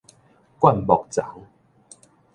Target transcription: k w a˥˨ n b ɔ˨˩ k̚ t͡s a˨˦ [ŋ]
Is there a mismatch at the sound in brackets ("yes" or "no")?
no